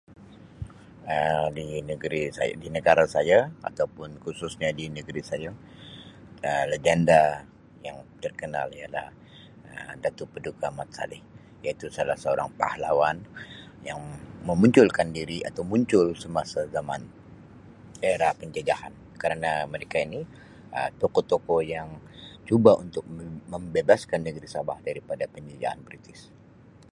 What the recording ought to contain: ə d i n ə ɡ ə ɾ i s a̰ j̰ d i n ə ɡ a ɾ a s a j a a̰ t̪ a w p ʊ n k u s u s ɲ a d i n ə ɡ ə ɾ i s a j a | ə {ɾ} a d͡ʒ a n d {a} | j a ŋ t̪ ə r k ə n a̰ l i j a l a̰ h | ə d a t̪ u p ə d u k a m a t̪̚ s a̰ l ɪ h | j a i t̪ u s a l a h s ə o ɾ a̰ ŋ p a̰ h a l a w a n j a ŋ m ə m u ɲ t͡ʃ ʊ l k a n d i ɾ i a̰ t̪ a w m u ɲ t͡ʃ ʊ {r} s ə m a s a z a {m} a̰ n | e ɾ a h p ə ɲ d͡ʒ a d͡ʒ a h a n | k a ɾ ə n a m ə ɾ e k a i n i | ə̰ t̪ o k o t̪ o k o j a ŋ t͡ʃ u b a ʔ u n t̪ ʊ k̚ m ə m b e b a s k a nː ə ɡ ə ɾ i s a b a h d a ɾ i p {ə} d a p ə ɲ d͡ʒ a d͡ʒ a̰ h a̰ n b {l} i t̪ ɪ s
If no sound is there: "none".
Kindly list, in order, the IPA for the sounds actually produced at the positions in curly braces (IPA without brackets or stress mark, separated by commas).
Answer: l, a, l, m, a, ɾ